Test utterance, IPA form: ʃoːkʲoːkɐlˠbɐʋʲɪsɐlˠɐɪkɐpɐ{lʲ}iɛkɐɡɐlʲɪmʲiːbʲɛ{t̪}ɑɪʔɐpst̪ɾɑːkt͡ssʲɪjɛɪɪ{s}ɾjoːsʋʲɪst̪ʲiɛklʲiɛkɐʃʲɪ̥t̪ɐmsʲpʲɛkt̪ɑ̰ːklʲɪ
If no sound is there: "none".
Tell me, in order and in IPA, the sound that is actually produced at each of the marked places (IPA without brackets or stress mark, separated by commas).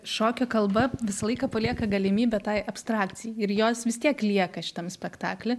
lʲ, t̪, none